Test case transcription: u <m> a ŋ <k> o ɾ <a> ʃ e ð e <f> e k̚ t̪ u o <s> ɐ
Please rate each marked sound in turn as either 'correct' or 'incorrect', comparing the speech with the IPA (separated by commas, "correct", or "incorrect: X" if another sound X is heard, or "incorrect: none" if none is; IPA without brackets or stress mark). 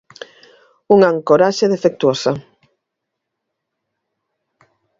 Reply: incorrect: ŋ, correct, correct, correct, correct